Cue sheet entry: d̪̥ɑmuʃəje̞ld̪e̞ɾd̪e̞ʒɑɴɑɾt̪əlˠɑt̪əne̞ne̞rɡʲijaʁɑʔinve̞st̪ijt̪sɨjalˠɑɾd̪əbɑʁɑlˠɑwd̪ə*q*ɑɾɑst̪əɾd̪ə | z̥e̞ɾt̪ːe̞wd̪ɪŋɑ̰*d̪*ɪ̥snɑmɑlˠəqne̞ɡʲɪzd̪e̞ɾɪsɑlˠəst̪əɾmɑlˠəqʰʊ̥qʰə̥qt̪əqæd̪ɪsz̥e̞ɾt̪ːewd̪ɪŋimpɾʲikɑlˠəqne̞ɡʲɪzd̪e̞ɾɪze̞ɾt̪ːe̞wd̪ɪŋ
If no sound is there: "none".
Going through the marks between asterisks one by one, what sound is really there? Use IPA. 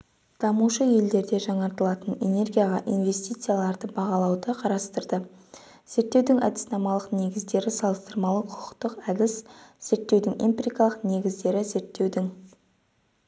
qʰ, d̪

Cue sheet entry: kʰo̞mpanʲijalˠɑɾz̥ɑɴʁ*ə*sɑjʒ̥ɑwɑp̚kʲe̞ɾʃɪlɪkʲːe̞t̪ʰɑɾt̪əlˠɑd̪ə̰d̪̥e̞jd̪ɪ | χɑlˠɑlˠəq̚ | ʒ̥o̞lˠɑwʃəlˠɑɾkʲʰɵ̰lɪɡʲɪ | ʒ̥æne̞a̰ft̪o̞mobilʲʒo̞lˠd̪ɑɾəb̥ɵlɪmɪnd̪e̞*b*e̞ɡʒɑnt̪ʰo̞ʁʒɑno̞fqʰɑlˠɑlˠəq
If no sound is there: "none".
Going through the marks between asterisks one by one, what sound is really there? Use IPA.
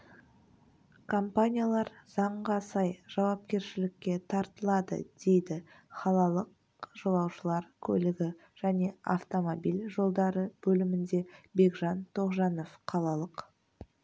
ɑ, b

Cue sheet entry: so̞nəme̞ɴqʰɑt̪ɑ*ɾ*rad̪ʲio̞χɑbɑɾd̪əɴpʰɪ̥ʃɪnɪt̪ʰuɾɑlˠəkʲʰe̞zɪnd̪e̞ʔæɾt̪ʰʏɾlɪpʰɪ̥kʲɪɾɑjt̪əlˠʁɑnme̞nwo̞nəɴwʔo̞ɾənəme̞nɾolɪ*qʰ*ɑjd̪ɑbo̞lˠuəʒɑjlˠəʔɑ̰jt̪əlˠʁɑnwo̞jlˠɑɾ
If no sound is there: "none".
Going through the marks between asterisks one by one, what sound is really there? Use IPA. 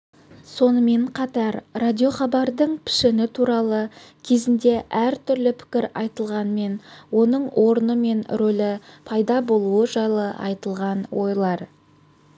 ɾ, pʰ

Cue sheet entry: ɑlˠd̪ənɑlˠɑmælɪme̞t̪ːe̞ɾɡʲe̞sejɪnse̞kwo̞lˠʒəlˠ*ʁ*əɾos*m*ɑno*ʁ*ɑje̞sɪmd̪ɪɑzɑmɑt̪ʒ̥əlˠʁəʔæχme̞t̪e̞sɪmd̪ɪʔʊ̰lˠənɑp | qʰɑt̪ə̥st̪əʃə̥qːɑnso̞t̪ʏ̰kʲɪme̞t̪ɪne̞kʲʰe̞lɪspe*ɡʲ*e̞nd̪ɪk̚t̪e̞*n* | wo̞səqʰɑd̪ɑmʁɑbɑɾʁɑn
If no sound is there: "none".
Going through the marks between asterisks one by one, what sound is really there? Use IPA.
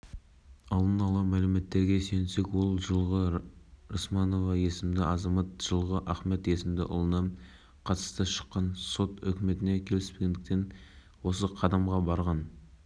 ʁ, m, v, ɡʲ, n

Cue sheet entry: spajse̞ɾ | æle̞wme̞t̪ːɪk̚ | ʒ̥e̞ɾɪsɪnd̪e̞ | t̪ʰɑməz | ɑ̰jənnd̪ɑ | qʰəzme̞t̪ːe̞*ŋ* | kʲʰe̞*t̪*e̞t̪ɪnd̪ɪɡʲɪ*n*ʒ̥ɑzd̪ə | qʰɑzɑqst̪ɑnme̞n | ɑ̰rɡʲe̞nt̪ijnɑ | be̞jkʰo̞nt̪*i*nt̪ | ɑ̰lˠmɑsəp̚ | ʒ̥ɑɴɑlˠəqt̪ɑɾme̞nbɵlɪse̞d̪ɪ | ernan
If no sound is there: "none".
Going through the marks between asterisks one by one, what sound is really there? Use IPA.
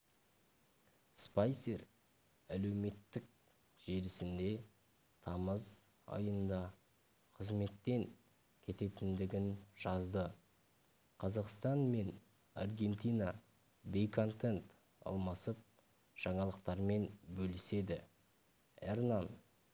ŋ, t̪, n, e

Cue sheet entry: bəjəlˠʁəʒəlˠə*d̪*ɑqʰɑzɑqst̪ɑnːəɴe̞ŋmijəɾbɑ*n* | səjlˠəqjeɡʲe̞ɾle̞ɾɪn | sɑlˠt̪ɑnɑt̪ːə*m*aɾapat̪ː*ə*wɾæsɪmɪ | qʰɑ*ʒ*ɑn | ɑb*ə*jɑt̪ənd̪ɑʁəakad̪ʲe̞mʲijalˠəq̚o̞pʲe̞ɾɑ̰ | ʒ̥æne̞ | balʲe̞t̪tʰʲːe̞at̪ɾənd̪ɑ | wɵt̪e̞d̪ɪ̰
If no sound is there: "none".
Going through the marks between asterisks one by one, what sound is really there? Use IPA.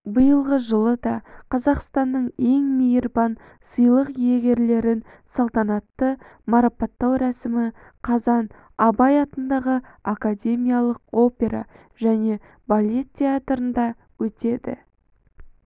d̪, n, m, ɑ, z, ɑ

